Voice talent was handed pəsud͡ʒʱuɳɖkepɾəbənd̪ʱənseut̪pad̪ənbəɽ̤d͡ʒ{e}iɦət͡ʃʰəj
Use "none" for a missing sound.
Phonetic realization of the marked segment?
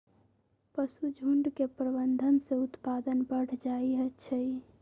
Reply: a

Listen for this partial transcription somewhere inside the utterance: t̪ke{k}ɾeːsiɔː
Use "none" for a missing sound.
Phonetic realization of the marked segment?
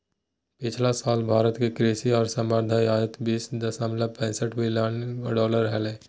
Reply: k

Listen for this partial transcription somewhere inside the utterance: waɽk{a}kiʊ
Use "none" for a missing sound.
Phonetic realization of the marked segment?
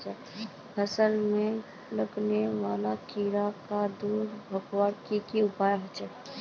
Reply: i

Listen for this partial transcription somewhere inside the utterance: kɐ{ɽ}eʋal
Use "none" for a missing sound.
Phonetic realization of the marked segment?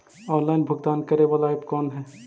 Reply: ɾ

